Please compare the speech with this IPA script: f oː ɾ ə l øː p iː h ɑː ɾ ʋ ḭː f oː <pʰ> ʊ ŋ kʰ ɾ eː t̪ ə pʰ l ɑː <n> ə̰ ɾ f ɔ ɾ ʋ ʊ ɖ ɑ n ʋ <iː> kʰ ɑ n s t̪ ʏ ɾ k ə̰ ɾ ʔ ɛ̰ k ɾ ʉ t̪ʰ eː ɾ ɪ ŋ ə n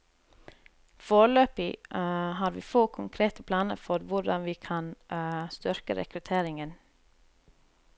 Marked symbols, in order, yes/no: no, yes, yes

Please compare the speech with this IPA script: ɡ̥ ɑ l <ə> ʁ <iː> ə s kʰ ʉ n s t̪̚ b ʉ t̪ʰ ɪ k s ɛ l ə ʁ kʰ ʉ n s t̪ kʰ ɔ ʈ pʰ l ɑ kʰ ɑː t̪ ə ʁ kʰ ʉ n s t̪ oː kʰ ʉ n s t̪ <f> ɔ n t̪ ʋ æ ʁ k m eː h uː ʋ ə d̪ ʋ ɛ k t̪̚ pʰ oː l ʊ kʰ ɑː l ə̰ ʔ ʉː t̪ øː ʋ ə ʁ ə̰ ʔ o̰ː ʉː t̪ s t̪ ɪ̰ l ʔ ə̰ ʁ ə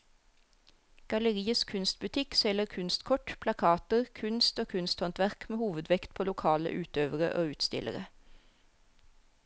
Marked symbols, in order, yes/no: yes, yes, no

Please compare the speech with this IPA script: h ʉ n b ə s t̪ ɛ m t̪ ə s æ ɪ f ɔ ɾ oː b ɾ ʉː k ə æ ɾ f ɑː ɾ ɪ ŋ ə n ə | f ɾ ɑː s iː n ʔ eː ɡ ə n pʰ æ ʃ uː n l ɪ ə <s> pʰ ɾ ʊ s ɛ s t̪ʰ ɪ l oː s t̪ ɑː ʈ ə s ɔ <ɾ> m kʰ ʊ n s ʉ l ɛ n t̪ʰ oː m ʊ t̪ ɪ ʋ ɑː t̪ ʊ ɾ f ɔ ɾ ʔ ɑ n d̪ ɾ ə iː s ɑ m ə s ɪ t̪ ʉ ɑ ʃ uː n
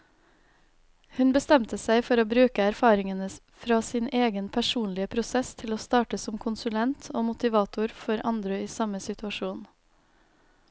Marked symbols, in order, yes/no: no, no

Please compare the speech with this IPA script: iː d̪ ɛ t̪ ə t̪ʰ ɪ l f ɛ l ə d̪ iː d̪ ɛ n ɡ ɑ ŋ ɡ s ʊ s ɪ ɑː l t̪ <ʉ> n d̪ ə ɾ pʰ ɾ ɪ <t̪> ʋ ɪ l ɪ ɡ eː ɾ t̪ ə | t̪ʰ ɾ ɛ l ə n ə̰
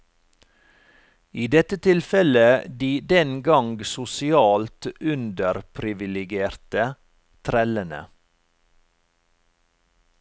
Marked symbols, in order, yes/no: yes, no

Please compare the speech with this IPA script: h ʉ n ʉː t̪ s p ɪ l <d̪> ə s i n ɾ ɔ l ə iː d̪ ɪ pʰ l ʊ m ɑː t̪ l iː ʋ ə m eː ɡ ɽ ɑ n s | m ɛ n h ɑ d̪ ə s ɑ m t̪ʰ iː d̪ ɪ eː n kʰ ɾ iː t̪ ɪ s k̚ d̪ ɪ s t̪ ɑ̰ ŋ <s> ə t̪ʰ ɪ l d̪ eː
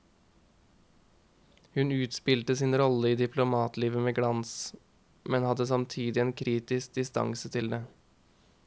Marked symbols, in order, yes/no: no, yes

